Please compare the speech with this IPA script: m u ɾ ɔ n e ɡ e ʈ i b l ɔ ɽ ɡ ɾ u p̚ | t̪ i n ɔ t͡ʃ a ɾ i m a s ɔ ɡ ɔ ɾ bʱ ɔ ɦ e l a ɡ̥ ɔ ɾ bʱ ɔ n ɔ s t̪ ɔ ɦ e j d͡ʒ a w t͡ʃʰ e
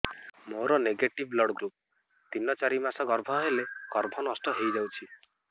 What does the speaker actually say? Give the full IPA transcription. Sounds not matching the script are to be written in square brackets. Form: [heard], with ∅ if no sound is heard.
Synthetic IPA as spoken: m [o] ɾ ɔ n e ɡ e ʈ i b l ɔ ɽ ɡ ɾ u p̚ | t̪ i n ɔ t͡ʃ a ɾ i m a s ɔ ɡ ɔ ɾ bʱ ɔ ɦ e l [e] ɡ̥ ɔ ɾ bʱ ɔ n ɔ s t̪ ɔ ɦ e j d͡ʒ a w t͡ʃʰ [i]